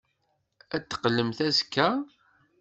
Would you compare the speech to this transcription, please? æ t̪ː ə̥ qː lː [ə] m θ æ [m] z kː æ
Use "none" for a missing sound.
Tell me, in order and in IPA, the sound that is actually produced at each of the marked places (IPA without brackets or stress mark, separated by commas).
ə, none